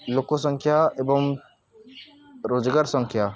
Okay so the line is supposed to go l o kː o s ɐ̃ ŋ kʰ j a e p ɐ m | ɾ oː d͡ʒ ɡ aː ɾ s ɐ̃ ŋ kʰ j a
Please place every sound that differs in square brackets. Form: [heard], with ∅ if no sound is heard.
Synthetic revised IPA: l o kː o s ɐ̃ ŋ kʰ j a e [b] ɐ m | ɾ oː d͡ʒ ɡ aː ɾ s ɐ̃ ŋ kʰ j a